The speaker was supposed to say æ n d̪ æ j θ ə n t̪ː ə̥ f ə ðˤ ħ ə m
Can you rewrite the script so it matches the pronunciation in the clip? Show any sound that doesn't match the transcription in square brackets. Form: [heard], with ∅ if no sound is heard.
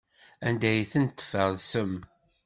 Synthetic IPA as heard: æ n d̪ æ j θ ə n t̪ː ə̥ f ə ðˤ [s] ə m